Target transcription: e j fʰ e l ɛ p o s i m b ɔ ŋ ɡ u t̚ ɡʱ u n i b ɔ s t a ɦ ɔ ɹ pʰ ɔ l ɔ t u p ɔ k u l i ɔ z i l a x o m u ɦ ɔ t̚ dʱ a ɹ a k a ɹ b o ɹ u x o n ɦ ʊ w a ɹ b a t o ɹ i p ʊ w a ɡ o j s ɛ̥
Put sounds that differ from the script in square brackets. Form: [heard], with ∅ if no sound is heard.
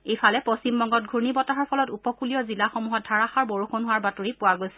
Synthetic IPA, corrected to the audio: e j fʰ [a] l ɛ p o s i m b ɔ ŋ ɡ [ɔ] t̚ ɡʱ u n i b ɔ [∅] t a ɦ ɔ ɹ pʰ ɔ l ɔ t u p ɔ k u l i ɔ z i l a x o m u ɦ ɔ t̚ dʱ a ɹ a [x] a ɹ b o ɹ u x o n ɦ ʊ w a ɹ b a t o ɹ i p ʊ w a ɡ o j s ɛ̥